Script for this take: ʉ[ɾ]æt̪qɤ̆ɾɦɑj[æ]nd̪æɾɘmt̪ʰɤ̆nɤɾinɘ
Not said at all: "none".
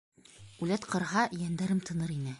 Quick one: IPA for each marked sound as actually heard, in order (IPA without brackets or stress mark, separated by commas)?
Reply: l, æ